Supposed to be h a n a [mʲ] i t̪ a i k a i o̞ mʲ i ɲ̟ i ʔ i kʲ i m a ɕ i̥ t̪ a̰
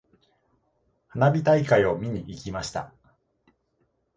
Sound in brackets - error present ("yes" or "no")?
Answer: yes